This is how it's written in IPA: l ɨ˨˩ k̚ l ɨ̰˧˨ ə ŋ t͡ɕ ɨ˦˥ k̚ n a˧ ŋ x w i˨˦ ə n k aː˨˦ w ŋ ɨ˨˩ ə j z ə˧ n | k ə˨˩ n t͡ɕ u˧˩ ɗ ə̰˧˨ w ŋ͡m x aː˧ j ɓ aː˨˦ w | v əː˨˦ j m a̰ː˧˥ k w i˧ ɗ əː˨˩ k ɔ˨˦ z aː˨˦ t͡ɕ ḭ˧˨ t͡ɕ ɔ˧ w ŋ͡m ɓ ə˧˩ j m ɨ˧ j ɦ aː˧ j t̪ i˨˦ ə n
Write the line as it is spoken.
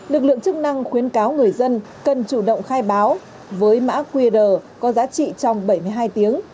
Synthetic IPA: l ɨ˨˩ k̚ l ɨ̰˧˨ ə ŋ t͡ɕ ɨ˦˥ k̚ n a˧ ŋ x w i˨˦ ə n k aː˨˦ w ŋ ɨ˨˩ ə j z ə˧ n | k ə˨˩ n t͡ɕ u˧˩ ɗ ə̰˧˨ w ŋ͡m x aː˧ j ɓ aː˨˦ w | v əː˨˦ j m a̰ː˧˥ k w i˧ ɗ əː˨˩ k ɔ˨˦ z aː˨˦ t͡ɕ ḭ˧˨ t͡ɕ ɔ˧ w ŋ͡m ɓ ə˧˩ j m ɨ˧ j ɦ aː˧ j t̪ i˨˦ ə ŋ